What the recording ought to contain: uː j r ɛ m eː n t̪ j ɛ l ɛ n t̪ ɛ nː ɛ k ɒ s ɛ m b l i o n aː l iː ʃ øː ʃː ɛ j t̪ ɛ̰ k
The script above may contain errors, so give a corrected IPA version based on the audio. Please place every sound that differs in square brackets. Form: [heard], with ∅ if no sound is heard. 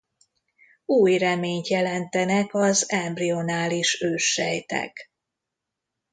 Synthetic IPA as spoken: uː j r ɛ m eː [ɲ] t̪ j ɛ l ɛ n t̪ ɛ [n] ɛ k ɒ [z] ɛ m b [r] i o n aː l [i] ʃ øː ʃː ɛ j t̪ ɛ̰ k

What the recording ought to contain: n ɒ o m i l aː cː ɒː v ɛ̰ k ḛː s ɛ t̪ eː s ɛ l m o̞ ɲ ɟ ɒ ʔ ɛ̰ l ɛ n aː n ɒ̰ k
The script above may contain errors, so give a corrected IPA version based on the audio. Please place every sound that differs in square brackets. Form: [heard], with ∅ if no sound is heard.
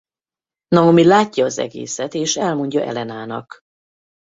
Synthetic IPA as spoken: n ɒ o m i l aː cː ɒː [z] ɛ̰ [ɡ] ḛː s ɛ t̪ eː [ʃ] ɛ l m o̞ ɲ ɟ ɒ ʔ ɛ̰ l ɛ n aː n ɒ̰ k

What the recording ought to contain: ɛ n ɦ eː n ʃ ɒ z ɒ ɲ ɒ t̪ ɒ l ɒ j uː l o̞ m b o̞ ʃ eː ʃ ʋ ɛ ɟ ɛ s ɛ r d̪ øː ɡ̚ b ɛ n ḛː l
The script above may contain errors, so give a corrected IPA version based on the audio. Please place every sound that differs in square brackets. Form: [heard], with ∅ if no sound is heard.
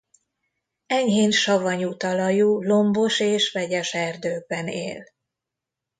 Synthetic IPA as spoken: ɛ [ɲ] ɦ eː n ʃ ɒ [v] ɒ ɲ [u] t̪ ɒ l ɒ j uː l o̞ m b o̞ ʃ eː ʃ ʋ ɛ ɟ ɛ [ʃ] ɛ r d̪ øː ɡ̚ b ɛ n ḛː l

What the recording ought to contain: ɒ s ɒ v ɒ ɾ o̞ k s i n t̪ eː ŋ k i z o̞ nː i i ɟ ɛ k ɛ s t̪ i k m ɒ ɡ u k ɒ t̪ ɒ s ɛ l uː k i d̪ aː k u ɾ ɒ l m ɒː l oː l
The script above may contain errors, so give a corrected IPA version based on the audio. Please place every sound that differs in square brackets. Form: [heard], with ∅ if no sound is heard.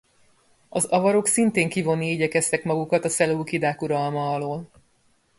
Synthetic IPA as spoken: ɒ [z] ɒ v ɒ ɾ o̞ k s i n t̪ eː ŋ k i [v] o̞ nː i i ɟ ɛ k ɛ s t̪ [ɛ] k m ɒ ɡ u k ɒ t̪ ɒ s ɛ l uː k i d̪ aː k u ɾ ɒ l m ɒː l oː l

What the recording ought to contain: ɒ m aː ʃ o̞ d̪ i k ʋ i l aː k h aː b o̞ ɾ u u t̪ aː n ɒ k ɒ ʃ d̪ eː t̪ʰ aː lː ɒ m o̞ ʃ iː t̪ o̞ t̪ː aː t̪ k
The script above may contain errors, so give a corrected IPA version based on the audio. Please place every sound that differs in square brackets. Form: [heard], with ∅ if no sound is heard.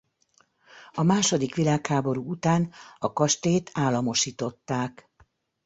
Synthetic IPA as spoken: ɒ m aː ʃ o̞ d̪ i k ʋ i l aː k h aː b o̞ ɾ u u t̪ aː n ɒ k ɒ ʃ [t̪] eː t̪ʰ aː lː ɒ m o̞ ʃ iː t̪ o̞ t̪ː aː [∅] k

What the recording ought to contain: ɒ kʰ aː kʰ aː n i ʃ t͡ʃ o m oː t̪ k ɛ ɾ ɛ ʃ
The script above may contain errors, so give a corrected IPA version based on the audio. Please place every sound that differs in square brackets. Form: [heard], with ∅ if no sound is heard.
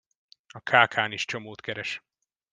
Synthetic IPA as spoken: ɒ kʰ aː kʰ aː n i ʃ t͡ʃ o m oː t̪ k ɛ ɾ ɛ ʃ

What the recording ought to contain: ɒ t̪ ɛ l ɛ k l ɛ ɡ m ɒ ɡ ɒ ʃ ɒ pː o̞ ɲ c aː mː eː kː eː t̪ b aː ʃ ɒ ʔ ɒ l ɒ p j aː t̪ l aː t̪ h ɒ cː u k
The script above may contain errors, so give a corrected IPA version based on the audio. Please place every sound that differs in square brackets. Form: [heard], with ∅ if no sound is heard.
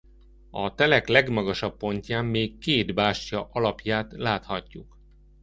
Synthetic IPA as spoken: ɒ t̪ ɛ l ɛ k l ɛ ɡ m ɒ ɡ ɒ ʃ ɒ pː o̞ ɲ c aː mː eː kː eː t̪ b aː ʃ ɒ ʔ ɒ l ɒ p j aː t̪ l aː t̪ h ɒ cː u k

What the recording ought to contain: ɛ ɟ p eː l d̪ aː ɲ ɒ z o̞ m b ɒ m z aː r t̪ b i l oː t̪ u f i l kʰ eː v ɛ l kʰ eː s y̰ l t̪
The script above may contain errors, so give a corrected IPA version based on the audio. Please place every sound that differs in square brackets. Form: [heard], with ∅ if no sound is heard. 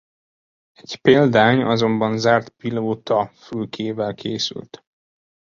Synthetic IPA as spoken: ɛ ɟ p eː l d̪ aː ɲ ɒ z o̞ m b ɒ [n] z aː r t̪ [p] i l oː t̪ [ɒ] f [y] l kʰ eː v ɛ l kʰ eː s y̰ l t̪

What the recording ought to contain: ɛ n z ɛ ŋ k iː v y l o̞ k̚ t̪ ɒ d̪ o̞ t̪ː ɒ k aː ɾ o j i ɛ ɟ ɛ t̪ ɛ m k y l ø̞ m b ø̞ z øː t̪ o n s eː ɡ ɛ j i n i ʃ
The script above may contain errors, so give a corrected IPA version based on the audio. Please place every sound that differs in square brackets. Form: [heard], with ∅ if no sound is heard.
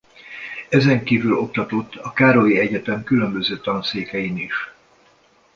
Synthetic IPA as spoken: ɛ [∅] z ɛ ŋ k iː v y l o̞ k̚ t̪ ɒ [t̪] o̞ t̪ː ɒ k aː ɾ o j i ɛ ɟ ɛ t̪ ɛ m k y l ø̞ m b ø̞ z øː t̪ [ɒ] n s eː [k] ɛ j i n i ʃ

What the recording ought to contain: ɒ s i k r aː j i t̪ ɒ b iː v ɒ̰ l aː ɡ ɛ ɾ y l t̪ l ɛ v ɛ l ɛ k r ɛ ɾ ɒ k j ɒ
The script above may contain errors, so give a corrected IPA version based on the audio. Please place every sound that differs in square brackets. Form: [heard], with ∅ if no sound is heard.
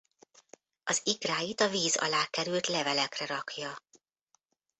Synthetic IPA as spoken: ɒ [z] i k r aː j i t̪ ɒ [v] iː [z] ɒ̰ l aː [k] ɛ ɾ y l t̪ l ɛ v ɛ l ɛ k r ɛ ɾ ɒ k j ɒ

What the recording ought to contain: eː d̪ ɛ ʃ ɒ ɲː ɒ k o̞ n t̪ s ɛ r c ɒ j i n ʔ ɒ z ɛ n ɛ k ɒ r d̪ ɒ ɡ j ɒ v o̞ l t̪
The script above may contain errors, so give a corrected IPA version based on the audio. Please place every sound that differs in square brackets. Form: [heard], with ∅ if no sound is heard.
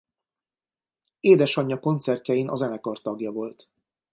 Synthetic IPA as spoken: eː d̪ ɛ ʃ ɒ ɲː ɒ k o̞ n t̪ s ɛ r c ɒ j i n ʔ ɒ z ɛ n ɛ k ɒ r [t̪] ɒ ɡ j ɒ v o̞ l t̪

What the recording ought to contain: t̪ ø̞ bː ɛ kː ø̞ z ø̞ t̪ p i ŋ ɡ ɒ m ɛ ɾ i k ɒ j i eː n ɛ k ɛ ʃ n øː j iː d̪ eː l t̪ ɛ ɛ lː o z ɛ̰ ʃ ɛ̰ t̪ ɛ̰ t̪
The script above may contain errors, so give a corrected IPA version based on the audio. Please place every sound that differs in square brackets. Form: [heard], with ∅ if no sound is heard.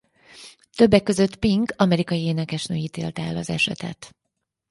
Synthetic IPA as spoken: t̪ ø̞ bː ɛ kː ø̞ z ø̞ t̪ p i ŋ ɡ ɒ m ɛ ɾ i k ɒ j i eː n ɛ k ɛ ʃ n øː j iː [t̪] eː l t̪ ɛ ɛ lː [ɒ] z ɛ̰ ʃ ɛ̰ t̪ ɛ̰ t̪

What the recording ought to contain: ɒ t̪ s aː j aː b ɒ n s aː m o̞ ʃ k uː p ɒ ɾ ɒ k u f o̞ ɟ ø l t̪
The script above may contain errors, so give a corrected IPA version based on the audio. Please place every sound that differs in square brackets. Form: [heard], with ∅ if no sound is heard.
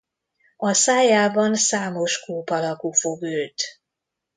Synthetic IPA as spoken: ɒ [∅] s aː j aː b ɒ n s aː m o̞ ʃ k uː p ɒ [l] ɒ k u f o̞ [ɡ] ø l t̪

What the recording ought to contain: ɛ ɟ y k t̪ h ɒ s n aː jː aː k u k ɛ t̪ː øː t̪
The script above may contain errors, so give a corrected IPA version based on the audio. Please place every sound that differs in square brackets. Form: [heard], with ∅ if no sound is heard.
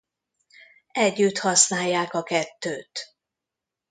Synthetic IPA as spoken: ɛ [ɟː] y [∅] t̪ h ɒ s n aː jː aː k [ɒ] k ɛ t̪ː øː t̪

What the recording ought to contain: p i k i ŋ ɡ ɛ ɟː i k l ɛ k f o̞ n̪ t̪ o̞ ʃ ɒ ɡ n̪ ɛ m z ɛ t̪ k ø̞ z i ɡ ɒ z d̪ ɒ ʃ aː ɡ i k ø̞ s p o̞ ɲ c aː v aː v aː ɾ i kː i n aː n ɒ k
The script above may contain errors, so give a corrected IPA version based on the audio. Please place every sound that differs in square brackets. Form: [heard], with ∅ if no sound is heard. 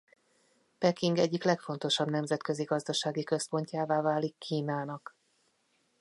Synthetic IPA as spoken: p [ɛ] k i ŋ ɡ ɛ ɟː i k l ɛ k f o̞ n̪ t̪ o̞ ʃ ɒ [b] n̪ ɛ m z ɛ t̪ k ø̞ z i ɡ ɒ z d̪ ɒ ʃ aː ɡ i k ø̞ s p o̞ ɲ c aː v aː v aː [l] i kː [iː] n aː n ɒ k

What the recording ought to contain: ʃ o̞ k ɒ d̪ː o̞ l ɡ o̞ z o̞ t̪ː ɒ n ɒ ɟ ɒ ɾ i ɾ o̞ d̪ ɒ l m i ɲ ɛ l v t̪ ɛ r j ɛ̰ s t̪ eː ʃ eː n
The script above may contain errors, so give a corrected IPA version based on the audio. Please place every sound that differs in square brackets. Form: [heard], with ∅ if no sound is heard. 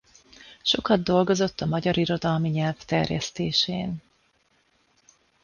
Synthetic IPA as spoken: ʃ o̞ k ɒ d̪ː o̞ l ɡ o̞ z o̞ t̪ː ɒ [m] ɒ ɟ ɒ ɾ i ɾ o̞ d̪ ɒ l m i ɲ ɛ l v t̪ ɛ r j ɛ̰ s t̪ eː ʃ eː n

